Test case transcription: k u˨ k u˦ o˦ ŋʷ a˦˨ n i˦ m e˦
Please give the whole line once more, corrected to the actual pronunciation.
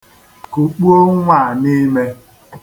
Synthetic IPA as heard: k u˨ k͡p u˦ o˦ ŋʷ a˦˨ n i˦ m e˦